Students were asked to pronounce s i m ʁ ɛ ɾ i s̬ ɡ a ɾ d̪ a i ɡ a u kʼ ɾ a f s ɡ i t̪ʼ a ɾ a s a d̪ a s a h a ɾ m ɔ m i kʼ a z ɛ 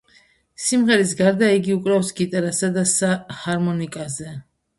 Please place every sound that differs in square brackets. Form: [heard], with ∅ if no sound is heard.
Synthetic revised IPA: s i m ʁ ɛ ɾ i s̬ ɡ a ɾ d̪ a i ɡ [i] u kʼ ɾ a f s ɡ i t̪ʼ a ɾ a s a d̪ a s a h a ɾ m ɔ [n] i kʼ a z ɛ